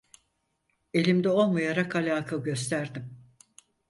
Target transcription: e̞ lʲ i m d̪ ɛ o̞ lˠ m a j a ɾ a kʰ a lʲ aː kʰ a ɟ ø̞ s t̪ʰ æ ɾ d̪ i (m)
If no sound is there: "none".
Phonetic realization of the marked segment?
m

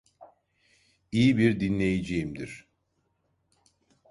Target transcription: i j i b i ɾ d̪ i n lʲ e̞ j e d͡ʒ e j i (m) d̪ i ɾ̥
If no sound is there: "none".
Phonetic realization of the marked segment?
m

